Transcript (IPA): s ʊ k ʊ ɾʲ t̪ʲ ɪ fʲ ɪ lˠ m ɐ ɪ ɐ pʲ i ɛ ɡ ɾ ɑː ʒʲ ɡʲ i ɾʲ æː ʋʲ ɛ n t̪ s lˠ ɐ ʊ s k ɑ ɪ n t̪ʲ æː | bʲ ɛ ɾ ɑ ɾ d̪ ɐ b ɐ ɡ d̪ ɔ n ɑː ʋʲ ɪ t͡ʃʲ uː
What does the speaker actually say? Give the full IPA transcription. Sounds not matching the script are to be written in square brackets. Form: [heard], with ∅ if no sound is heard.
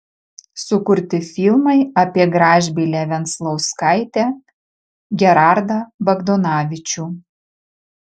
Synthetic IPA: s ʊ k ʊ ɾʲ t̪ʲ ɪ fʲ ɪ lˠ m ɐ ɪ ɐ pʲ i ɛ ɡ ɾ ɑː ʒʲ [bʲ] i [lʲ] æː ʋʲ ɛ n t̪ s lˠ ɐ ʊ s k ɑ ɪ [∅] t̪ʲ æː | [ɡʲ] ɛ ɾ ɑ ɾ d̪ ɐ b ɐ ɡ d̪ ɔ n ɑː ʋʲ ɪ t͡ʃʲ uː